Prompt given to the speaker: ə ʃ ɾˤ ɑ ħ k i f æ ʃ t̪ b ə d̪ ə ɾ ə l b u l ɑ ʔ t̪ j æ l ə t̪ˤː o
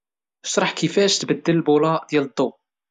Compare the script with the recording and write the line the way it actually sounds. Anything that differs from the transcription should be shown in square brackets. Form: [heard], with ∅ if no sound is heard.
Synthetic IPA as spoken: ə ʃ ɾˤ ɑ ħ k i f æ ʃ t̪ b ə [d̪ː] ə [l] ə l b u l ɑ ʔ [d̪] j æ l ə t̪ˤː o

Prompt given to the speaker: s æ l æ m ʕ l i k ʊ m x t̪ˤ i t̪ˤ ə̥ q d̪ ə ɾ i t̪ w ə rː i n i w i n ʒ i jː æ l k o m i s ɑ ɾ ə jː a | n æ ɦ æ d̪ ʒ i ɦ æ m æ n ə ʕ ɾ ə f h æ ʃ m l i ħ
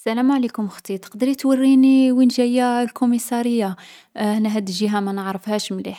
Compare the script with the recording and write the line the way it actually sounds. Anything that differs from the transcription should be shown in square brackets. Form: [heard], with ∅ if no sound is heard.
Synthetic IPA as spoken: s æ l æ m ʕ l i k ʊ m x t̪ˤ i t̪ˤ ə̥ q d̪ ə ɾ i t̪ w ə rː i n i w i n ʒ [æ] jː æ l k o m i s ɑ ɾ ə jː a | n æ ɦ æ d̪ ʒ i ɦ æ m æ n ə ʕ ɾ ə f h æ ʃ m l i ħ

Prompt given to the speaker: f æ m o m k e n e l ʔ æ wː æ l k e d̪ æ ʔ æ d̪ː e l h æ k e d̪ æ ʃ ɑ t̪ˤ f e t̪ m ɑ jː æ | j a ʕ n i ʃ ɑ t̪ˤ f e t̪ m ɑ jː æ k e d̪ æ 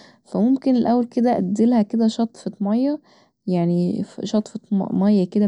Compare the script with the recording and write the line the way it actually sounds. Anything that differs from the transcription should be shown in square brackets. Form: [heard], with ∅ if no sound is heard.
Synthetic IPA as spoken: f æ m o m k e n e l ʔ æ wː æ l k e d̪ æ ʔ æ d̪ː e l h æ k e d̪ æ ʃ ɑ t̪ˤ f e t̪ m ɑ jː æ | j a ʕ n i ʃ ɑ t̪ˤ f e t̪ m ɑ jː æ k e d̪ æ

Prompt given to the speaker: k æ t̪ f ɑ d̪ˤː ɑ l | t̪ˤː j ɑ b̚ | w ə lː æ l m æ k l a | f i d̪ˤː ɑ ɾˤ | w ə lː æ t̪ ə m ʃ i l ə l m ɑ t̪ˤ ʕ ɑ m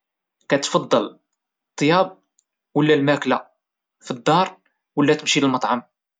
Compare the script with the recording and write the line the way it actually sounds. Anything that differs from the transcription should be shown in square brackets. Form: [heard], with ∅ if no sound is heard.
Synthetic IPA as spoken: k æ t̪ f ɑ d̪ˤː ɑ l | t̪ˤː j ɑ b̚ | w ə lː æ l m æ k l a | f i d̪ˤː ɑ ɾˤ | w ə lː æ t̪ ə m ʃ i l ə l m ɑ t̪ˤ ʕ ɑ m

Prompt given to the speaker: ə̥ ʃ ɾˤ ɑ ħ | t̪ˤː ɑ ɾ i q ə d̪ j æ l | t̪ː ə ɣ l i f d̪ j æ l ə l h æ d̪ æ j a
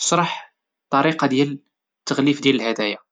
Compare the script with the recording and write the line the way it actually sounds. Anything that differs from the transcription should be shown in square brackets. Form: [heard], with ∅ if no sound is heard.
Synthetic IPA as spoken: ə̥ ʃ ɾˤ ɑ ħ | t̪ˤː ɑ ɾ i q [ɑ] d̪ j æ l | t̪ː ə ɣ l i f d̪ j æ l ə l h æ d̪ æ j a

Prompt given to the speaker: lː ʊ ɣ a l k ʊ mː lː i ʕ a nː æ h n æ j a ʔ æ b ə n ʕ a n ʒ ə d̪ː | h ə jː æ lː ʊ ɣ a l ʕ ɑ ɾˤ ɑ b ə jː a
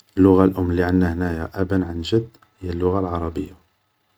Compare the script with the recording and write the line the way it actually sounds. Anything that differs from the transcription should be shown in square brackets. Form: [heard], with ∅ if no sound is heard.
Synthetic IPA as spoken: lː ʊ ɣ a l [ʔ] ʊ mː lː i ʕ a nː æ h n æ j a ʔ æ b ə n ʕ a n ʒ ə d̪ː | h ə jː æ lː ʊ ɣ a l ʕ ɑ ɾˤ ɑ b ə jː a

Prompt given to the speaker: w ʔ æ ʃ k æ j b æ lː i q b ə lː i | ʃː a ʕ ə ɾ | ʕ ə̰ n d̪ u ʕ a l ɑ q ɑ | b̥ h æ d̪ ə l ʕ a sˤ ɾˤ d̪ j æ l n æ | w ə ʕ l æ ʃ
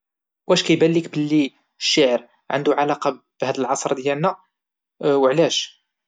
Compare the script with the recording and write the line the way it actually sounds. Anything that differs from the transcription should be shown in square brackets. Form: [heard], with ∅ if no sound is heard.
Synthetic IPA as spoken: w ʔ æ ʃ k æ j b æ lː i [k] b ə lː i | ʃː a ʕ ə ɾ | ʕ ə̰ n d̪ u ʕ a l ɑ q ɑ | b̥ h æ d̪ ə l ʕ [ɑ] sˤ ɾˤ d̪ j æ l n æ | w ə ʕ l æ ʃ

